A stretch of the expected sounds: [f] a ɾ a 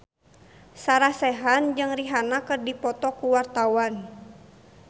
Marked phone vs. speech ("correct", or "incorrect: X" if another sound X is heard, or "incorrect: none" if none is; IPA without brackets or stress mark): incorrect: s